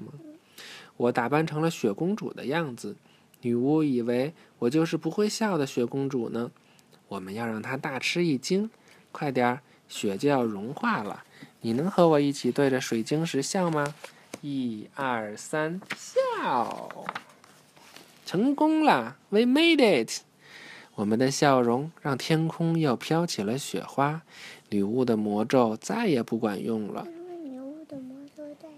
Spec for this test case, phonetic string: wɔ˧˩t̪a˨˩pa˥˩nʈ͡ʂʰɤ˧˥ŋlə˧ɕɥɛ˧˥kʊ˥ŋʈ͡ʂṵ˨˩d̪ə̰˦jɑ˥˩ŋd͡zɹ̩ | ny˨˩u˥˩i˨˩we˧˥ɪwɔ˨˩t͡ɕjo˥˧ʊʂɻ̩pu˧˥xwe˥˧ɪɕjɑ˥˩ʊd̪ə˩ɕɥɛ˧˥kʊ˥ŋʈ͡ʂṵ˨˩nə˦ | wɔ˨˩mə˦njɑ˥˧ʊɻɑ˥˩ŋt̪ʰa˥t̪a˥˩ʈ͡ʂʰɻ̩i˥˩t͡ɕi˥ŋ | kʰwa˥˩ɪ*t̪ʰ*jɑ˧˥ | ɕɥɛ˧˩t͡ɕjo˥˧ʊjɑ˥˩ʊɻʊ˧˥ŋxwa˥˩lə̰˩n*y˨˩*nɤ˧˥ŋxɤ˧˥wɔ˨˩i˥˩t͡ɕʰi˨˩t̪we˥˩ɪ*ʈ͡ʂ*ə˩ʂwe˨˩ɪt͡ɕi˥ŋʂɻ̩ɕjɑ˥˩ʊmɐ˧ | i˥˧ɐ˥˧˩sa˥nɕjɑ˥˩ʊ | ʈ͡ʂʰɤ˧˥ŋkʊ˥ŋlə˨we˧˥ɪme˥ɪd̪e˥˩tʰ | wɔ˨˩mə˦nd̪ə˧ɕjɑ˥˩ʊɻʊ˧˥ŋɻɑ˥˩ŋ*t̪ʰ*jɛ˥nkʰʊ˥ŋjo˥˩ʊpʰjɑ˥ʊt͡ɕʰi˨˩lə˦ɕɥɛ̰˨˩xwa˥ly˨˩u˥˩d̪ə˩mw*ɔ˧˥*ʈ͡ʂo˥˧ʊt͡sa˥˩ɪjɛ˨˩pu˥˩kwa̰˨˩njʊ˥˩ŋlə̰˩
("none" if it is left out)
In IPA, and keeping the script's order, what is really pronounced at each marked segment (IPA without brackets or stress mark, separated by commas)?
t̪, i˨˩, ʈ͡ʂ, t̪ʰ, ɔ˧˥